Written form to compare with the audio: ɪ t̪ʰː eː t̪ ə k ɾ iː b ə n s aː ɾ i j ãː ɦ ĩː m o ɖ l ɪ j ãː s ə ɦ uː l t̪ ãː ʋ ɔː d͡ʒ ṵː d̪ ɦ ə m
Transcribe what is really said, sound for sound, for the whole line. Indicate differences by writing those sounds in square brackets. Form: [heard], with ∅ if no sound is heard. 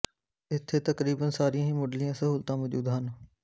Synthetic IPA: ɪ t̪ʰː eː t̪ ə k ɾ iː b ə n s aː ɾ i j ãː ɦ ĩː m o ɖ l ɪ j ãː s ə ɦ uː l t̪ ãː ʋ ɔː d͡ʒ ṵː d̪ ɦ ə [n]